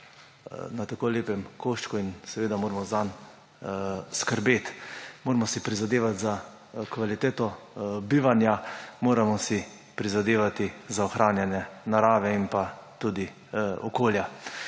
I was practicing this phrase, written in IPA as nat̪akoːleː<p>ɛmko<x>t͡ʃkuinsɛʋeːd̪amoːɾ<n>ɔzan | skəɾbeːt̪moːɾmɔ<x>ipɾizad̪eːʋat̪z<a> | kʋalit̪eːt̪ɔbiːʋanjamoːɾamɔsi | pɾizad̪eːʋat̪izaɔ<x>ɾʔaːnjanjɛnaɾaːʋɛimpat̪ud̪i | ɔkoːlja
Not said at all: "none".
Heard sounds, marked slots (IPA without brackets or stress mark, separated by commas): p, ʃ, m, s, a, x